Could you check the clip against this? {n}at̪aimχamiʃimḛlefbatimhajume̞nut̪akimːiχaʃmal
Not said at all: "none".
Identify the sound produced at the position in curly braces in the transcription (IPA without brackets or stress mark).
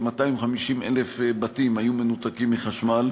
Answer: m